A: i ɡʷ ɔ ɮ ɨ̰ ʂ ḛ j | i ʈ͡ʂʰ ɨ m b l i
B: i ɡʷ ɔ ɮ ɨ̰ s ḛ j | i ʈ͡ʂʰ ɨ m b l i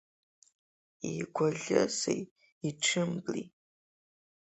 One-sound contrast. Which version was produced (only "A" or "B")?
B